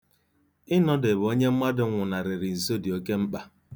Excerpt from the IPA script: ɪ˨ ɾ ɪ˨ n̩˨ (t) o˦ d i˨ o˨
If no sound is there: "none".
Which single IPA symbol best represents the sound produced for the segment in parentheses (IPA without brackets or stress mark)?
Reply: s